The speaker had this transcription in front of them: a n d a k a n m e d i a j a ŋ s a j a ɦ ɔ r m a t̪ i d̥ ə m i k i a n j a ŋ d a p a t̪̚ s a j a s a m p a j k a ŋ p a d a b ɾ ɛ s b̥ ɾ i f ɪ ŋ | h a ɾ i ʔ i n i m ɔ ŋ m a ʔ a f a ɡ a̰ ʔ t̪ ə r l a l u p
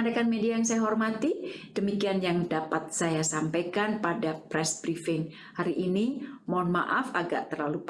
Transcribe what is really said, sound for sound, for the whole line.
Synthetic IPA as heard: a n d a k a n m e d i a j a ŋ s a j a ɦ ɔ r m a t̪ i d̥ ə m i k i a n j a ŋ d a p a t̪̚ s a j a s a m p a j k a n p a d a p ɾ ɛ s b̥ ɾ i f ɪ ŋ | h a ɾ i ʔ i n i m ɔ n m a ʔ a f a ɡ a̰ ʔ t̪ ə r l a l u p